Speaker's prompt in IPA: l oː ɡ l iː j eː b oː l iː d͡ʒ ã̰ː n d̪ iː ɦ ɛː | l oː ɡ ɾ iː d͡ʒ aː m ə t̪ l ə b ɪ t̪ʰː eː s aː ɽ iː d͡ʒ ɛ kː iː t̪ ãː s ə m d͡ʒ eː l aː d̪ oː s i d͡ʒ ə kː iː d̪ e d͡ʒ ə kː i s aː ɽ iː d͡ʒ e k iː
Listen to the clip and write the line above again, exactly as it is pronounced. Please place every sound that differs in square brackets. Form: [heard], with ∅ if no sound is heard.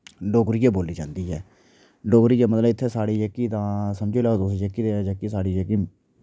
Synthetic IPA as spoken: l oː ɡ [ɾ] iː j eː b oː l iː d͡ʒ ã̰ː n d̪ iː ɦ ɛː | l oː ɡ ɾ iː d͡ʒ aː m ə t̪ l ə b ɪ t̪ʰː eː s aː ɽ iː d͡ʒ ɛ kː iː t̪ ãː s ə m d͡ʒ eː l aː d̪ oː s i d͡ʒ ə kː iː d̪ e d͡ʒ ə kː i s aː ɽ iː d͡ʒ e k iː